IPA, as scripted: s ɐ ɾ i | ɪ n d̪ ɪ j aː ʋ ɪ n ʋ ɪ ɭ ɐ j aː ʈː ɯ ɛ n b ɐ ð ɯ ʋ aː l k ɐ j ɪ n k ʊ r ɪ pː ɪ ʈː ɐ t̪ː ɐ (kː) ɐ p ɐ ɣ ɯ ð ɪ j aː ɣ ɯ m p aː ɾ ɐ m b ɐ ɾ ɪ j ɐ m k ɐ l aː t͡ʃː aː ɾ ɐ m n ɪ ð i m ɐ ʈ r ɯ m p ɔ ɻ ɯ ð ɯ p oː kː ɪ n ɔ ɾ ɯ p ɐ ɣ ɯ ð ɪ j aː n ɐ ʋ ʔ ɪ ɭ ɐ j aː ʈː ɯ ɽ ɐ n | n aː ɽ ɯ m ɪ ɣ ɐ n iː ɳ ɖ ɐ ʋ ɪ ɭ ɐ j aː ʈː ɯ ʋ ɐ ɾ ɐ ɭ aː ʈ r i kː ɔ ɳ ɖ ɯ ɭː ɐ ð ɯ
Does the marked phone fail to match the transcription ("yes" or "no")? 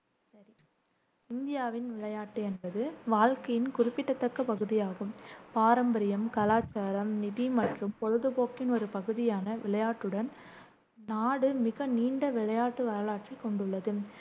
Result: no